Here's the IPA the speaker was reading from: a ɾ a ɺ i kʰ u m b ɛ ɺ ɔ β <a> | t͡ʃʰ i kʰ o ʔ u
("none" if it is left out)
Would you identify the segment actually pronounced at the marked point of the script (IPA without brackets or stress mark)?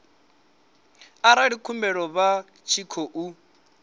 a